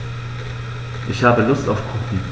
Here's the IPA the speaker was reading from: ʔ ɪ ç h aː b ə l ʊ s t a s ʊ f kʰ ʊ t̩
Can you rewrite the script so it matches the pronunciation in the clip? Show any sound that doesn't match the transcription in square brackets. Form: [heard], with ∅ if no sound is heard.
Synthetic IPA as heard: ʔ ɪ ç h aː b ə l ʊ s t a [∅] ʊ f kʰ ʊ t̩